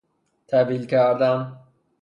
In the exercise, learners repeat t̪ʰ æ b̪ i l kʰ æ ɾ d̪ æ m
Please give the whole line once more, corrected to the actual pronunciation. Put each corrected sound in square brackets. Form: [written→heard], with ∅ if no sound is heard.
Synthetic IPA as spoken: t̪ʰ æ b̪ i l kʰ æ ɾ d̪ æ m